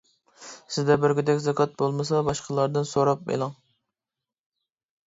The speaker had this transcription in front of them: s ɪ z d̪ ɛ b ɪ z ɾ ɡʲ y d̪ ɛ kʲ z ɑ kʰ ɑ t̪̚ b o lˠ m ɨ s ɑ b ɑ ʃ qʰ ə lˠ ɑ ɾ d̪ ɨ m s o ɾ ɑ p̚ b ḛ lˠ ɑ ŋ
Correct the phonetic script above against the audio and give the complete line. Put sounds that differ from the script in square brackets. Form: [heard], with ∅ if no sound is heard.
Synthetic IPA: s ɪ z d̪ ɛ b ɪ [∅] ɾ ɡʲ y d̪ ɛ kʲ z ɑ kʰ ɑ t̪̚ b o lˠ m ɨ s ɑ b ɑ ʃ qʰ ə lˠ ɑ ɾ d̪ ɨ [n] s o ɾ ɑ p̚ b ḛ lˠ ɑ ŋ